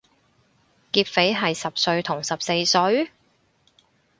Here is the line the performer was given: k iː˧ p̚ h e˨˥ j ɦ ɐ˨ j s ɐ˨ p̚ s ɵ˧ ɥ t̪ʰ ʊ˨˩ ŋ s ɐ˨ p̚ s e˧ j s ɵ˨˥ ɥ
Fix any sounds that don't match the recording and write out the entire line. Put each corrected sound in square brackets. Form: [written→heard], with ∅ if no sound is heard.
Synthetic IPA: k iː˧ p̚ [h→f] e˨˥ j ɦ ɐ˨ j s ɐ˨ p̚ s ɵ˧ ɥ t̪ʰ ʊ˨˩ ŋ s ɐ˨ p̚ s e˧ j s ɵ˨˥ ɥ